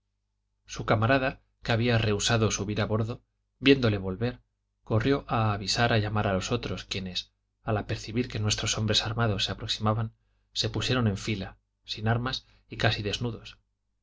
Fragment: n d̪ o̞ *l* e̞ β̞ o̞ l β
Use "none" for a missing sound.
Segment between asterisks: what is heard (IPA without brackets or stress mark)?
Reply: l